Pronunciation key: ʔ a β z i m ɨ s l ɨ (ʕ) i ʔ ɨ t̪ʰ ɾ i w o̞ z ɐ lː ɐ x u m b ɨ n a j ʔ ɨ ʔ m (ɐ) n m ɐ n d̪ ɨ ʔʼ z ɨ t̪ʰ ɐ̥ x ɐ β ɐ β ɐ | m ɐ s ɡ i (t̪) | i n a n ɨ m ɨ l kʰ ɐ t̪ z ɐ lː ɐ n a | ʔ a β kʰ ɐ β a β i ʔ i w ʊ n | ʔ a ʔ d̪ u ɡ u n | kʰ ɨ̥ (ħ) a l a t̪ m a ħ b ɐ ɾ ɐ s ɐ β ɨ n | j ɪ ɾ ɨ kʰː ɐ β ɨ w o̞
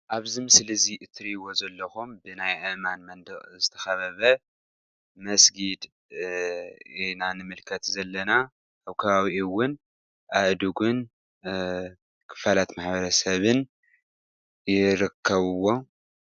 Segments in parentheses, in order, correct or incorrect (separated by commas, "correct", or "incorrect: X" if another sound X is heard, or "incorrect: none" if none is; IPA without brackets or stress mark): incorrect: z, incorrect: a, incorrect: d̪, incorrect: f